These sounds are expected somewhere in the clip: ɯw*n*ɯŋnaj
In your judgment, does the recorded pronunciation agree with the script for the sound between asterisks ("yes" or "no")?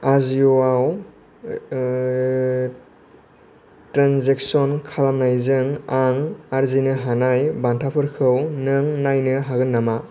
yes